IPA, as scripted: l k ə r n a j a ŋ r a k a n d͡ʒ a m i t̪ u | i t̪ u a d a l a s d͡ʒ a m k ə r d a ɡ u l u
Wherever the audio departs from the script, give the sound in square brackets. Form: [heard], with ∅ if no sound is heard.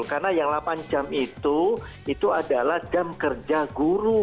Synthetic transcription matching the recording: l k [a] r n a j a ŋ [l] a [p] a n d͡ʒ a m i t̪ u | i t̪ u a d a l a [h] d͡ʒ a m k ə r [d͡ʒ] a ɡ u [ɾ] u